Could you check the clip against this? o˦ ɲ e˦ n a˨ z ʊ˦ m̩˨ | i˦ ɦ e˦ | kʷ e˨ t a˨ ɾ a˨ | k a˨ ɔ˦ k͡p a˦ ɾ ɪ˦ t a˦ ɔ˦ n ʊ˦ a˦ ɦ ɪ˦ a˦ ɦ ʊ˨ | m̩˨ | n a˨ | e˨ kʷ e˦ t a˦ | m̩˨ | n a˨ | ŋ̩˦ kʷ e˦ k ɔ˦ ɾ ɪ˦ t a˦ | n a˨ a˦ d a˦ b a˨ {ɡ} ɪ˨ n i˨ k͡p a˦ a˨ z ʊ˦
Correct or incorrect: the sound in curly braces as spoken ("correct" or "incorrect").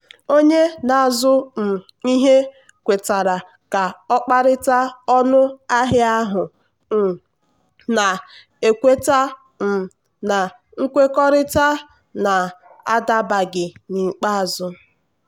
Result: correct